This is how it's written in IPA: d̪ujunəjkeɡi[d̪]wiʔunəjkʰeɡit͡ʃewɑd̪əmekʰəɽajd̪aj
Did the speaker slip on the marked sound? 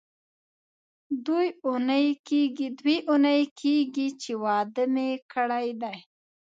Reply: no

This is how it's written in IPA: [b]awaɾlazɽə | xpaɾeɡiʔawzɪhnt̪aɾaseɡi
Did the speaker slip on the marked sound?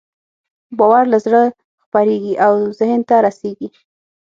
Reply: no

